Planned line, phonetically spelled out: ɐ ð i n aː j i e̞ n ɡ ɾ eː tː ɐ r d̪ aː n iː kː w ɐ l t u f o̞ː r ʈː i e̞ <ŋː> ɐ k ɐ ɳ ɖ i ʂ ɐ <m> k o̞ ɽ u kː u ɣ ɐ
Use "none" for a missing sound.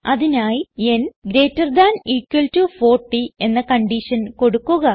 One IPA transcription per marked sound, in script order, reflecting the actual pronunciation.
nː, n

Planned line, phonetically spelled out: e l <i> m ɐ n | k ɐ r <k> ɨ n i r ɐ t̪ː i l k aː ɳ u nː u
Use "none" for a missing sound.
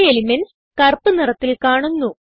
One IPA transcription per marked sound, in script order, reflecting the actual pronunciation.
i, p

